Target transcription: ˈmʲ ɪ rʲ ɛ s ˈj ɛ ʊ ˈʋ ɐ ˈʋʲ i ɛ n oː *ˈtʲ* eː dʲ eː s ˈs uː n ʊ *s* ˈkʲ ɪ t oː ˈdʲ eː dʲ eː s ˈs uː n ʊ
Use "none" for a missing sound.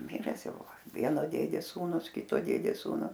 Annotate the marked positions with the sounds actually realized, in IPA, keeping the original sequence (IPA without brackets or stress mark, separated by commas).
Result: dʲ, s